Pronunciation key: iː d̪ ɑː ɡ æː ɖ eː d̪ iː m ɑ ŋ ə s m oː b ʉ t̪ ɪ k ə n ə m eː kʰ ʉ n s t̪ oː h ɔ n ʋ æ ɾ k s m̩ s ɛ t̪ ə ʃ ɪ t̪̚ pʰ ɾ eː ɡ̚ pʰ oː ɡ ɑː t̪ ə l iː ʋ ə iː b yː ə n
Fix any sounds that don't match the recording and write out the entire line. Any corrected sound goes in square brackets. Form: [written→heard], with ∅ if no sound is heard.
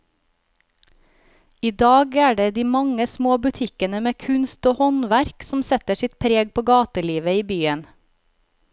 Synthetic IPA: iː d̪ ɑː ɡ æː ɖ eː d̪ iː m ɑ ŋ ə s m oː b ʉ [t̪→t̪ʰ] ɪ k ə n ə m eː kʰ ʉ n s t̪ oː h ɔ n ʋ æ ɾ k s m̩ s ɛ t̪ ə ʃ ɪ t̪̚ pʰ ɾ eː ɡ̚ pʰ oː ɡ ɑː t̪ ə l iː ʋ ə iː b yː ə n